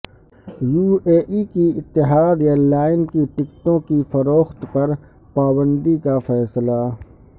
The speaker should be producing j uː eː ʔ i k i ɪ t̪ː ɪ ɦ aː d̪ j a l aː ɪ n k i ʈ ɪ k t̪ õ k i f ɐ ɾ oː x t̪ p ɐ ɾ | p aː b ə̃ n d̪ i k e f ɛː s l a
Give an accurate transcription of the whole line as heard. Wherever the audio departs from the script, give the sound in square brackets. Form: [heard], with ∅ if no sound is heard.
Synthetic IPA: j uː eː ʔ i k i ɪ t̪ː ɪ ɦ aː d̪ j a l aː ɪ n k i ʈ ɪ k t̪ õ k i f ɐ ɾ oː x t̪ p ɐ ɾ | p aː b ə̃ n d̪ i k [a] f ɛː s l a

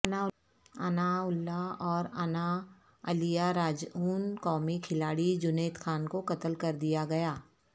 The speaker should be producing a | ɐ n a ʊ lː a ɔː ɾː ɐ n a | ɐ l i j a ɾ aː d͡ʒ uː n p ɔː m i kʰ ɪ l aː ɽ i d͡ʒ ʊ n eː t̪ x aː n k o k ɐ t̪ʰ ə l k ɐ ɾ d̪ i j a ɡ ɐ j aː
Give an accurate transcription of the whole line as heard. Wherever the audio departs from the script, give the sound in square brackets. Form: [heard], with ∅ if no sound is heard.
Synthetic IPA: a | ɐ n a ʊ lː a ɔː [ɾ] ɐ n a | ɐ l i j a ɾ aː d͡ʒ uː n [k] ɔː m i kʰ ɪ l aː ɽ i d͡ʒ ʊ n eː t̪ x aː n k o k ɐ [t̪] ə l k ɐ ɾ d̪ i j a ɡ ɐ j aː

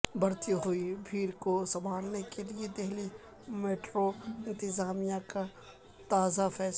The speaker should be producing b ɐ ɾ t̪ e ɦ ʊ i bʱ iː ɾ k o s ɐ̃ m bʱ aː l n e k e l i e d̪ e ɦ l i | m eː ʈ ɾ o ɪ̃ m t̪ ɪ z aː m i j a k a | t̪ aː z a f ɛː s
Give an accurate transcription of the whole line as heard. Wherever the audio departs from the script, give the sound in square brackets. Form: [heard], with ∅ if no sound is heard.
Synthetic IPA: b ɐ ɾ t̪ [i] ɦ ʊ i bʱ iː ɾ k o s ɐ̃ m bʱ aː l n e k e l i e d̪ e ɦ l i | m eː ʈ ɾ o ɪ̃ [n] t̪ ɪ z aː m i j a k a | t̪ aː z a f ɛː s

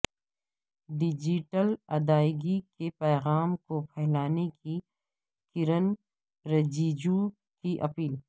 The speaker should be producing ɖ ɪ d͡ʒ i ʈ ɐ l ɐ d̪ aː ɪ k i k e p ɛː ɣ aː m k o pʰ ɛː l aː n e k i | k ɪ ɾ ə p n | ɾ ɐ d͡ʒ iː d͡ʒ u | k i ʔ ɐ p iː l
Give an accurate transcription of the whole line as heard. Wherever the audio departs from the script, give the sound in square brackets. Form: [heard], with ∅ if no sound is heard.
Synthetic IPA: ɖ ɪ d͡ʒ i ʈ [ə] l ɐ d̪ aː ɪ [ɡ] i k e p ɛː ɣ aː m k o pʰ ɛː l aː n e k i | k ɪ ɾ ə [∅] n | ɾ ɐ d͡ʒ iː d͡ʒ u | k i ʔ ɐ p iː l

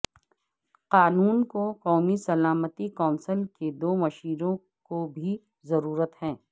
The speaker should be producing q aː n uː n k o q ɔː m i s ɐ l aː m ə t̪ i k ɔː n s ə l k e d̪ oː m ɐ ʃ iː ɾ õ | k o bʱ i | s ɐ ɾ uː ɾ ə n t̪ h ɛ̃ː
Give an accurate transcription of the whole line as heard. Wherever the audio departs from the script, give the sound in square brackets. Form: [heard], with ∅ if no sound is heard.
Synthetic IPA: q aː n uː n k o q ɔː m i s ɐ l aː m ə t̪ i k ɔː n s ə l k e d̪ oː m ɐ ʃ iː ɾ õ | k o bʱ i | [z] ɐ ɾ uː ɾ ə [∅] t̪ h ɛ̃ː

